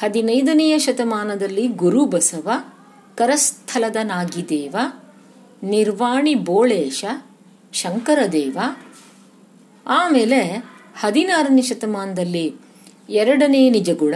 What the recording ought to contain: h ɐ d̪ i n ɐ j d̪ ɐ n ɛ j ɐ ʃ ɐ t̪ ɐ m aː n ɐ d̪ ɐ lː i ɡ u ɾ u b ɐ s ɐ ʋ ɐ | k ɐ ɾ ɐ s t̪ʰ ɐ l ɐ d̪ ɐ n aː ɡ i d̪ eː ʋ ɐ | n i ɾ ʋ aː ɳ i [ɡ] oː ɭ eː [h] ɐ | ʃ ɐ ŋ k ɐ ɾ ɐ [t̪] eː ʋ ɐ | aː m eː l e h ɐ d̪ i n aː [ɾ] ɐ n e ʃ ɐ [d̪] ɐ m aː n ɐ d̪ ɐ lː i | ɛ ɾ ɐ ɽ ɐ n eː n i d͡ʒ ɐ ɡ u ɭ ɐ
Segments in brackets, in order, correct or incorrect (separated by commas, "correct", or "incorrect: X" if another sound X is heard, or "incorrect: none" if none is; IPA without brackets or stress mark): incorrect: b, incorrect: ʃ, incorrect: d̪, correct, incorrect: t̪